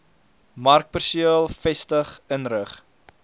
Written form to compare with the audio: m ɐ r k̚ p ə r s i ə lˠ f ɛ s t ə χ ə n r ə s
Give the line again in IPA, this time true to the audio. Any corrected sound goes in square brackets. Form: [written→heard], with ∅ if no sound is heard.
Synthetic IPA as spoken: m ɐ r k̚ p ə r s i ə lˠ f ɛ s t ə χ ə n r ə [s→χ]